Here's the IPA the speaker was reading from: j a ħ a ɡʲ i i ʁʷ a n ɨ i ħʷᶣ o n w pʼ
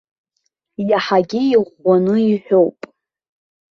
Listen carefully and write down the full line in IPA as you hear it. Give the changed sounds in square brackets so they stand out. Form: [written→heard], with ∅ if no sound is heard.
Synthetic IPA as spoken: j a ħ a ɡʲ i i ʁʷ a n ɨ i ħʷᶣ o [n→∅] w pʼ